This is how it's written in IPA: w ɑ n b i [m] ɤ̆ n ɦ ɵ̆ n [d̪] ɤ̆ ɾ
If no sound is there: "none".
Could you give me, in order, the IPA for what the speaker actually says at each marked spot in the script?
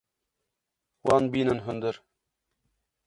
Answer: n, d̪

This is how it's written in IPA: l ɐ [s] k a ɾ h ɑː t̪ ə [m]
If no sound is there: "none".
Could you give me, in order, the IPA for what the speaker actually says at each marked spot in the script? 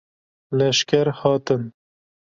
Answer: ʃ, n

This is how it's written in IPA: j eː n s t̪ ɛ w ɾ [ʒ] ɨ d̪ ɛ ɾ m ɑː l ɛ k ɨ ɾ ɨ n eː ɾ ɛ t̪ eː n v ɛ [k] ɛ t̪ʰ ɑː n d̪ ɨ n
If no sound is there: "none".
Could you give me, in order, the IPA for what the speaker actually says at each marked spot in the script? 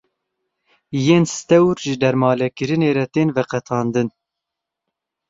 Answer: ʒ, q

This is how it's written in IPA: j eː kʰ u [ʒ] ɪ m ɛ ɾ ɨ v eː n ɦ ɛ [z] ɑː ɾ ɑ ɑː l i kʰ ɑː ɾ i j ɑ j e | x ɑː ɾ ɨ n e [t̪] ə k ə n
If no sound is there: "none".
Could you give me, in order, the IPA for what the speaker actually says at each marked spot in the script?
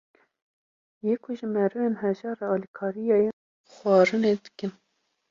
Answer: ʒ, ʒ, d̪

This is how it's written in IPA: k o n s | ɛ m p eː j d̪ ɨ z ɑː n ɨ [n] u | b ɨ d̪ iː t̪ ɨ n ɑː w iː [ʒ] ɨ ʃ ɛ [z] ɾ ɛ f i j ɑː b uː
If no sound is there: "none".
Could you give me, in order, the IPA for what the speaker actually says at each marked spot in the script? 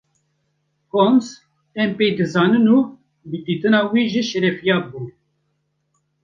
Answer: n, ʒ, none

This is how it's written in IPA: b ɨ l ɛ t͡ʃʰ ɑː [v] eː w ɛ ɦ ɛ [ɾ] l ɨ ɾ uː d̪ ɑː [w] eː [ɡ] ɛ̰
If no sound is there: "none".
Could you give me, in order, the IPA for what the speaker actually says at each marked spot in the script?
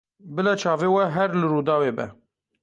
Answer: v, ɾ, w, b

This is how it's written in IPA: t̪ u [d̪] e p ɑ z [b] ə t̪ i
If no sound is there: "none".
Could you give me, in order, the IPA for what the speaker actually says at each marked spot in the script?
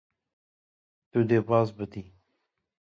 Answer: d̪, b

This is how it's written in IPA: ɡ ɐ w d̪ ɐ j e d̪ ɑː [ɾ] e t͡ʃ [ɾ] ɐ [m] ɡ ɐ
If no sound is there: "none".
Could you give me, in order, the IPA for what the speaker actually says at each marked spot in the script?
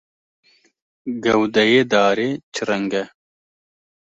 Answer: ɾ, ɾ, ŋ

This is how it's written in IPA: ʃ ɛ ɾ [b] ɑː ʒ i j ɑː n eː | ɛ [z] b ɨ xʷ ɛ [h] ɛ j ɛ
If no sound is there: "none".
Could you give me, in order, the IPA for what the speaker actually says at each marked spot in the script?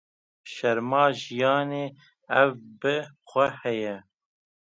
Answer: m, v, h

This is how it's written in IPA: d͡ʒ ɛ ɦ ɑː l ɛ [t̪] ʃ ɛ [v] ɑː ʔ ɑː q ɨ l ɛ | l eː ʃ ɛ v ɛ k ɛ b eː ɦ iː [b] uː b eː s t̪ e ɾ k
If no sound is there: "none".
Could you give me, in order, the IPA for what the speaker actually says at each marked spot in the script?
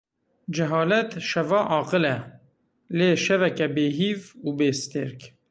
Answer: t̪, v, v

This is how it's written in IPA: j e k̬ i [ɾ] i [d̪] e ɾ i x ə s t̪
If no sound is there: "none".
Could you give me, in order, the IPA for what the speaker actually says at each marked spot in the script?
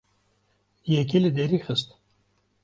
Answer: l, d̪

